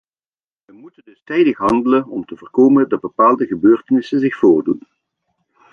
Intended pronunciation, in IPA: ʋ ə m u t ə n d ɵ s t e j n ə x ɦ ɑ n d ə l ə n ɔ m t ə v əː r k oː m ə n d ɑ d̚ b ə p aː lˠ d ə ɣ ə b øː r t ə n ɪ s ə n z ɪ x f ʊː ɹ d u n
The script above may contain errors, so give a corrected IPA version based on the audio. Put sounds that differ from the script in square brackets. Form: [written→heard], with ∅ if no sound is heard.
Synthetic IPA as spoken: ʋ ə m u t ə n d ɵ s t [e→ɛ] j [n→d] ə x ɦ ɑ n d ə l ə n ɔ m t ə v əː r k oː m ə n d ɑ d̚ b ə p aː lˠ d ə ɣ ə b øː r t ə n ɪ s ə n z ɪ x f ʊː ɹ d u n